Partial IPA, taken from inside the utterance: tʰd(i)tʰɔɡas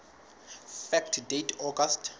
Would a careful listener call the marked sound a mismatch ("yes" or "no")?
yes